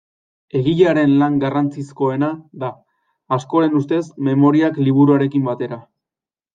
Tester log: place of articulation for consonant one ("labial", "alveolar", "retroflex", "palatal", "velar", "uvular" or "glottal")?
velar